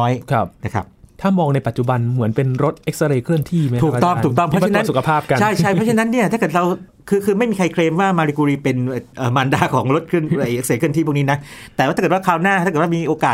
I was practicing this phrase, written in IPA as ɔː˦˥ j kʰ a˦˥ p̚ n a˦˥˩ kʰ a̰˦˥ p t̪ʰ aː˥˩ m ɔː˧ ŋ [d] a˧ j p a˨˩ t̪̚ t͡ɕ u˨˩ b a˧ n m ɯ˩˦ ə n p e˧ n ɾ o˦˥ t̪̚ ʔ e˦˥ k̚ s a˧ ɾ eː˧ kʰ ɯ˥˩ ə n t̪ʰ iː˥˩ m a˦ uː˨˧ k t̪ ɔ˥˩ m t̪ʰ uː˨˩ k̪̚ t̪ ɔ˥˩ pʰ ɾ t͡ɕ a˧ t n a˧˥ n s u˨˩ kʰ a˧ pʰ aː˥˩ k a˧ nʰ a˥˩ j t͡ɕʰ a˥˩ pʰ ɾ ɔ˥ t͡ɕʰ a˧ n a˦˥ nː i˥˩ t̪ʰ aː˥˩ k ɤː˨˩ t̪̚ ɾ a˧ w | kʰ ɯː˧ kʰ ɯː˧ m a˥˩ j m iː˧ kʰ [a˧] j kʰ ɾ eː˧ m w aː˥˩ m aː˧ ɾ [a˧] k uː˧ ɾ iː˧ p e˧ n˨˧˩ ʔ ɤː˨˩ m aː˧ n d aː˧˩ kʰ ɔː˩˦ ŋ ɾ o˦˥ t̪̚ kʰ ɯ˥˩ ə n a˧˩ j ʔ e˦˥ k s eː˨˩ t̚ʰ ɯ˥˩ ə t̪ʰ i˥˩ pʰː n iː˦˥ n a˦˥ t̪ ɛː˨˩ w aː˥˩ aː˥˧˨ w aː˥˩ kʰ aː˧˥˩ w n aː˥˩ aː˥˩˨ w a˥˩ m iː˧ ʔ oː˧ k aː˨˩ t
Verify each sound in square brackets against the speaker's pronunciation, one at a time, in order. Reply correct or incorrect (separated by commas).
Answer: incorrect, correct, incorrect